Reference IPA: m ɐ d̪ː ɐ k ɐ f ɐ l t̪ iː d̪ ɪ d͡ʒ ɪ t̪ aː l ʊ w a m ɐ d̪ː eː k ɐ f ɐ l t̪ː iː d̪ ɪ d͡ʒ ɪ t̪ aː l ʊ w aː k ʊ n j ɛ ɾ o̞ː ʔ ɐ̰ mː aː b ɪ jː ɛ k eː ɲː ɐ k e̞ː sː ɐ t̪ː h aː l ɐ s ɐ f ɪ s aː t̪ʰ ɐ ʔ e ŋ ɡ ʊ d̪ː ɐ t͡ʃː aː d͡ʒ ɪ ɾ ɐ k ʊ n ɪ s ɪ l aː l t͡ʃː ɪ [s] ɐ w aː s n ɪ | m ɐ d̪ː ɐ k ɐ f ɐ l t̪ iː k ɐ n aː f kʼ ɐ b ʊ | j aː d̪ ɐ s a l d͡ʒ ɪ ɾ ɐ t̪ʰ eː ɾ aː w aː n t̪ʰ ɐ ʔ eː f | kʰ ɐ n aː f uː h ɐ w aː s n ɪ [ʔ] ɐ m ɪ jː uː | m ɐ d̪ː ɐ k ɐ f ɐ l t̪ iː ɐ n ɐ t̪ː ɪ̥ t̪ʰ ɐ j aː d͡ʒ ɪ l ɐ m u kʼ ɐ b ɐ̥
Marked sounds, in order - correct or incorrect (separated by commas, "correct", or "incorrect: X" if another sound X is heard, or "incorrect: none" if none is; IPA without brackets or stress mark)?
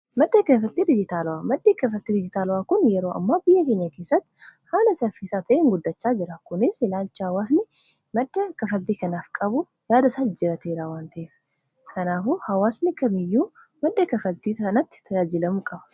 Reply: incorrect: h, incorrect: k